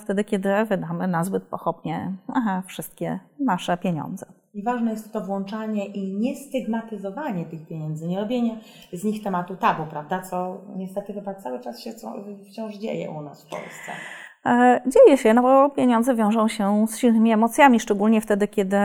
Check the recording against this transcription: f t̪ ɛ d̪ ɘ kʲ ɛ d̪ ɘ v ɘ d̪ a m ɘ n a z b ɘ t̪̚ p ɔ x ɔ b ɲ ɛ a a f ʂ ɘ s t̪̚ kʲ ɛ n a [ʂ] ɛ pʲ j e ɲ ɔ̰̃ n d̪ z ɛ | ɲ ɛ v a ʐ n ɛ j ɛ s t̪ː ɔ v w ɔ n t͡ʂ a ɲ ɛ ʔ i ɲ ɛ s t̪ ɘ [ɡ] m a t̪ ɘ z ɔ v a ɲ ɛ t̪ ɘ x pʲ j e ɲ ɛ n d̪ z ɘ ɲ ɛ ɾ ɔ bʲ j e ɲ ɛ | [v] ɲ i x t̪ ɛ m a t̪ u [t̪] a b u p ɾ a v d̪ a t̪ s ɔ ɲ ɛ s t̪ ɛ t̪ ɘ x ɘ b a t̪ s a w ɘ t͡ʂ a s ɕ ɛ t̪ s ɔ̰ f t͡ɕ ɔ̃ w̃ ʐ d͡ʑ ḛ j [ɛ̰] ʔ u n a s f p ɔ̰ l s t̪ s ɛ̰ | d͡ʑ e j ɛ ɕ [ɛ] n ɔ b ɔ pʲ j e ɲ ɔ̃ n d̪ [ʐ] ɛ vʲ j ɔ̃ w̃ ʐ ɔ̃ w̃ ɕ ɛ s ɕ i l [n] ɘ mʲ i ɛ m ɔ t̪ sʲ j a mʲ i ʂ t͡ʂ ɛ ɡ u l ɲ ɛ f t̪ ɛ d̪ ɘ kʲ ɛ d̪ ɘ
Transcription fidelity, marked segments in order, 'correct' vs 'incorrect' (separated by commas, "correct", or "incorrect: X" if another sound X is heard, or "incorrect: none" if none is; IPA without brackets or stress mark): correct, correct, incorrect: z, correct, correct, correct, incorrect: z, correct